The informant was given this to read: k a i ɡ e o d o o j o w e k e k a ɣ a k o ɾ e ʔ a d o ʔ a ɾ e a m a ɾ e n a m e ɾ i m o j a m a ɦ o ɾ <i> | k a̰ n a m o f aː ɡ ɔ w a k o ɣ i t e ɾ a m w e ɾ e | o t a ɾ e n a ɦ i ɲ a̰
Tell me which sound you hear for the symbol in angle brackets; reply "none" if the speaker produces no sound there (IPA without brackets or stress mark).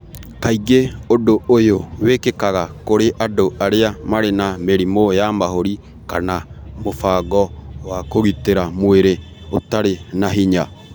i